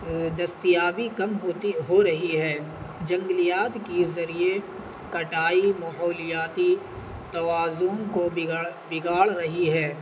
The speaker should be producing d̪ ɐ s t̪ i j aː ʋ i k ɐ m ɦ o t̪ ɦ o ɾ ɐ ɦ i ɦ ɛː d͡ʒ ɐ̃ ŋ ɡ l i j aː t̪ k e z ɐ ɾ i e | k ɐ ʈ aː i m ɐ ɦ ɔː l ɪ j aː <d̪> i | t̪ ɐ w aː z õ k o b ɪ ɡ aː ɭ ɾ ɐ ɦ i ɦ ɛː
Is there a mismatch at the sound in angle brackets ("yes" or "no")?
yes